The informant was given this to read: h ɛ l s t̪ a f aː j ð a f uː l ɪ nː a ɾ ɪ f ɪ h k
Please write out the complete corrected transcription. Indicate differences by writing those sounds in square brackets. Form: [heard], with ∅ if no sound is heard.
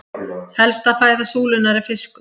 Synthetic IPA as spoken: h ɛ l s t̪ a f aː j ð a [s] uː l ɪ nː a ɾ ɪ f ɪ [s] k